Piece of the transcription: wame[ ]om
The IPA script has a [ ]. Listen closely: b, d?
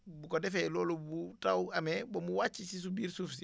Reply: b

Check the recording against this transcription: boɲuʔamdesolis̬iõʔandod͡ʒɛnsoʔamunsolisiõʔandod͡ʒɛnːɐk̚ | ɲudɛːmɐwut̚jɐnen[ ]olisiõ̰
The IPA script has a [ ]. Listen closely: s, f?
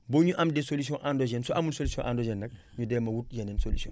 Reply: s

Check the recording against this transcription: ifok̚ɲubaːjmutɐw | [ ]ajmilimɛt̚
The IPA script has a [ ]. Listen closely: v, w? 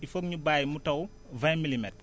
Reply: v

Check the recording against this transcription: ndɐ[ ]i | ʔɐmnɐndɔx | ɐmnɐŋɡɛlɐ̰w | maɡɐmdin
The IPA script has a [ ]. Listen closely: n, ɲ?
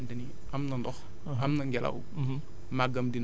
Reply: n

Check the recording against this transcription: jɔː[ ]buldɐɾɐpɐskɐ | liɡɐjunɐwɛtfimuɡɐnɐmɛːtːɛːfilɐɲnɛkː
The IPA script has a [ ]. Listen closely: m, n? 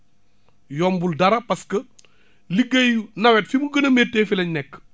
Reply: m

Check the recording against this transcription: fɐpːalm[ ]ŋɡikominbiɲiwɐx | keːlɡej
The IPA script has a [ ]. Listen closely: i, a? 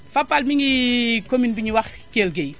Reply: i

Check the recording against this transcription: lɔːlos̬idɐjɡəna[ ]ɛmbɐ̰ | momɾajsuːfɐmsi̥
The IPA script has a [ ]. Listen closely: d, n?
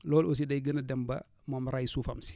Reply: d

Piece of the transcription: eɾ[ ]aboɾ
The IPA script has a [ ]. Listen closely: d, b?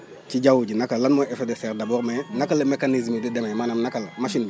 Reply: d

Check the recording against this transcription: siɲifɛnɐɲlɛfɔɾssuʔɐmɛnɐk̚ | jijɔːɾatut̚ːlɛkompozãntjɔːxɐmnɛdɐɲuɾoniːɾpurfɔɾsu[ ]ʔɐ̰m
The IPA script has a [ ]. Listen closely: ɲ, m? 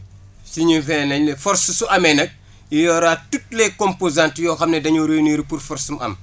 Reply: m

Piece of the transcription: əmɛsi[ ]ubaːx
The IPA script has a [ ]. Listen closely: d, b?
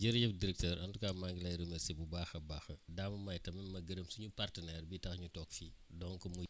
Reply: b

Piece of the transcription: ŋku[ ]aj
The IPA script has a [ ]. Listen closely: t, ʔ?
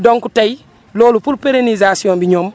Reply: t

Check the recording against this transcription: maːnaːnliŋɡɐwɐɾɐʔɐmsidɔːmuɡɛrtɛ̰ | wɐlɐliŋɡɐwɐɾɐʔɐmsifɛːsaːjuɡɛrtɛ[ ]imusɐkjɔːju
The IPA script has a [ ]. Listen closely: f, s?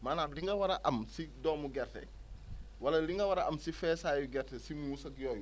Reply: s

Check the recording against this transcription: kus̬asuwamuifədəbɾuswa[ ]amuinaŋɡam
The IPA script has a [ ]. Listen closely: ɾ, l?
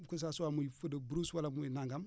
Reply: l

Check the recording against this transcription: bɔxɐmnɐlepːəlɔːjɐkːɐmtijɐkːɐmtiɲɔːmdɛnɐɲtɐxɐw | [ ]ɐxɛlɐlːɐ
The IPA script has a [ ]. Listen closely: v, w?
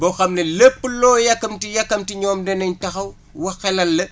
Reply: w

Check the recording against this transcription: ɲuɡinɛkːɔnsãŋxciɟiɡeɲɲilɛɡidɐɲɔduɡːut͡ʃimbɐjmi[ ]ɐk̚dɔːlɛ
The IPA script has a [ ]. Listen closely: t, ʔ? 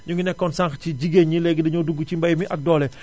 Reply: ʔ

